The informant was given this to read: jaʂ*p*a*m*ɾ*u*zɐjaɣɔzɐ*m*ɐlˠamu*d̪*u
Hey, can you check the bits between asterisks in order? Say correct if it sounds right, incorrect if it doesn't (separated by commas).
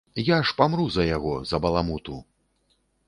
correct, correct, correct, incorrect, incorrect